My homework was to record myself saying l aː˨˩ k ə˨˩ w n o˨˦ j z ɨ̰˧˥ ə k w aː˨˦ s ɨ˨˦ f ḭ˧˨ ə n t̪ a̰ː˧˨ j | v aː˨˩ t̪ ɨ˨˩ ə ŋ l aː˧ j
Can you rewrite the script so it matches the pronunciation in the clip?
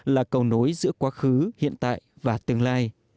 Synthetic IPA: l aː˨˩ k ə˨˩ w n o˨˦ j z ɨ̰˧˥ ə k w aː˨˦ x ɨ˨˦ h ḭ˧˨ ə n t̪ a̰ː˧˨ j | v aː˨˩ t̪ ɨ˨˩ ə ŋ l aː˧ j